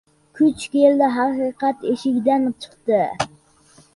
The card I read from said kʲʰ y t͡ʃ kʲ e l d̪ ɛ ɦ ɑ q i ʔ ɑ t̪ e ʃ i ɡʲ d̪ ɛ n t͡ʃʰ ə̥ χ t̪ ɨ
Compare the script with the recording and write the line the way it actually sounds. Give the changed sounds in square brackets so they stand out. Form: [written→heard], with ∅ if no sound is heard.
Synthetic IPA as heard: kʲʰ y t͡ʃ kʲ e l d̪ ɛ ɦ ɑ q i [ʔ→q] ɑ t̪ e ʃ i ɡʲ d̪ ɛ n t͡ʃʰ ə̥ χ t̪ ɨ